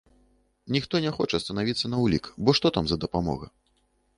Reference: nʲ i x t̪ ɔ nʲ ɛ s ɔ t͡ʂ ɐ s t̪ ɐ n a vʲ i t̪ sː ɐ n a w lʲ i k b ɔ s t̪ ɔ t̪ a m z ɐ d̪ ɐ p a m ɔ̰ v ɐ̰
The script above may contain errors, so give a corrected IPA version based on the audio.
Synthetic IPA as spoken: nʲ i x t̪ ɔ nʲ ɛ x ɔ t͡ʂ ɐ s t̪ ɐ n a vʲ i t̪ sː ɐ n ɐ w lʲ i k b ɔ ʂ t̪ ɔ t̪ a m z ɐ d̪ ɐ p a m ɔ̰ ɣ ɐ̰